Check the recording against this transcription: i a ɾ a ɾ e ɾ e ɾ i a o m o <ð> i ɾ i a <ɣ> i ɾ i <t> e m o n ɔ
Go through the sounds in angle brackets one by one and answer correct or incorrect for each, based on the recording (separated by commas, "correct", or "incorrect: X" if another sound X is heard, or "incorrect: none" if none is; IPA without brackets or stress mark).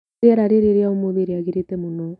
correct, correct, correct